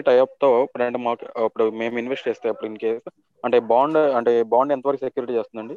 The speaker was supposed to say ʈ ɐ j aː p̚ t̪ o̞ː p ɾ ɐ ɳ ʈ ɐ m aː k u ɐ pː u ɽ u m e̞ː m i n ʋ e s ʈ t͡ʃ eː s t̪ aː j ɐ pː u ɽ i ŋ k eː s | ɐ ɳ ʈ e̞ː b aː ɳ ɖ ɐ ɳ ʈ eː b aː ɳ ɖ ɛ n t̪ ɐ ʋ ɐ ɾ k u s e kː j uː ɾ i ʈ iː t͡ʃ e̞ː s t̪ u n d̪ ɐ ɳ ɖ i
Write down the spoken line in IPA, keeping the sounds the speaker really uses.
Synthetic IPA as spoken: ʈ ɐ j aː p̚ t̪ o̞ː p ɾ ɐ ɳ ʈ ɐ m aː k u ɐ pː u ɽ u m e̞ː m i n ʋ e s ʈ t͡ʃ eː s t̪ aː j ɐ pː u ɽ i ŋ k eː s | ɐ ɳ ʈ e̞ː b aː ɳ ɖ ɐ ɳ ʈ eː b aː ɳ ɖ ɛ n t̪ ɐ ʋ ɐ ɾ k u s e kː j uː ɾ i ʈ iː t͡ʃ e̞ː s t̪ u n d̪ ɐ ɳ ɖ i